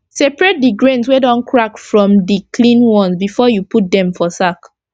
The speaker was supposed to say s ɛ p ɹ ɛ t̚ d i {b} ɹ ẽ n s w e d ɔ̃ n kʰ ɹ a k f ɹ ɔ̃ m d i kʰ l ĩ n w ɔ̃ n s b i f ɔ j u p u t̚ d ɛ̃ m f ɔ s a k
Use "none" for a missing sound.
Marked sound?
ɡ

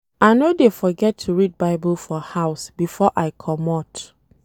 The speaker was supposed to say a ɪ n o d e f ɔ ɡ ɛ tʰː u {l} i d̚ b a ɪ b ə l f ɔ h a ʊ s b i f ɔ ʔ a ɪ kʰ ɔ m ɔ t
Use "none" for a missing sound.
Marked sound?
ɹ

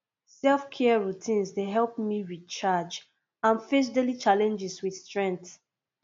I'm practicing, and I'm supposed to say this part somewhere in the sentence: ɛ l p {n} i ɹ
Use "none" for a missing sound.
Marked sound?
m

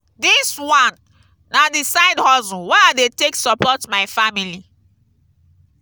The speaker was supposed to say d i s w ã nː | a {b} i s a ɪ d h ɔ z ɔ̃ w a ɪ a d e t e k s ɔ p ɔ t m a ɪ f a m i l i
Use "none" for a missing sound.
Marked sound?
d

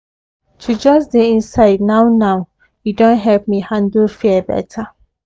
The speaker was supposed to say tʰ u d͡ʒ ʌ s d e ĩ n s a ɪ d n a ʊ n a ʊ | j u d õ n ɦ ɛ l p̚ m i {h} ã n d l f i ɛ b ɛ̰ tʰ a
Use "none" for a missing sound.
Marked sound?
h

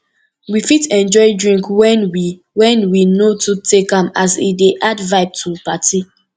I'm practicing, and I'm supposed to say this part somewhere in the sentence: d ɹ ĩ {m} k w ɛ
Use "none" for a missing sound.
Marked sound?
ŋ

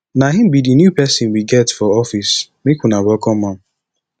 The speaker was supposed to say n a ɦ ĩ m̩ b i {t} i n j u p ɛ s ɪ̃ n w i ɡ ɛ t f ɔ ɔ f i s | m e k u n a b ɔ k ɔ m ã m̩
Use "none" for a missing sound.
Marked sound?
d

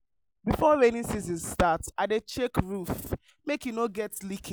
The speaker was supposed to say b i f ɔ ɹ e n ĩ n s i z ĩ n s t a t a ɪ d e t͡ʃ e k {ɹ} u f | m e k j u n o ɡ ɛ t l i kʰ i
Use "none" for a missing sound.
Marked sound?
ɹ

